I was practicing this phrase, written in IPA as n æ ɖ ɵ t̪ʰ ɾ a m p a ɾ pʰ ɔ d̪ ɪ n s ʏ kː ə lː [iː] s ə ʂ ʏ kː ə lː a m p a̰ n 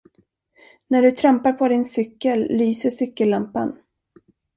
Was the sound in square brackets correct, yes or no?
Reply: no